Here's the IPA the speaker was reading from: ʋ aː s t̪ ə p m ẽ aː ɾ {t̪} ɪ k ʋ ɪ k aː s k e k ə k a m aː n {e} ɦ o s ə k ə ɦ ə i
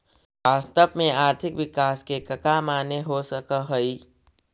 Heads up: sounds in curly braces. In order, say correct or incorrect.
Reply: incorrect: t̪ʰ, correct

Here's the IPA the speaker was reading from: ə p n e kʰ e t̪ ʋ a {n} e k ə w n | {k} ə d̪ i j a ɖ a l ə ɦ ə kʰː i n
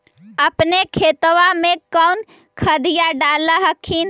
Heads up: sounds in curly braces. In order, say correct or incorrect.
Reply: incorrect: m, incorrect: kʰ

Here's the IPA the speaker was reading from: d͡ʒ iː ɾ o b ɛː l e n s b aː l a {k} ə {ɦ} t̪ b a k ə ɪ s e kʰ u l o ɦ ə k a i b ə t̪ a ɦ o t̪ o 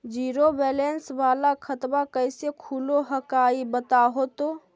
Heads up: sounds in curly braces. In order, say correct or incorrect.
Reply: incorrect: kʰ, incorrect: none

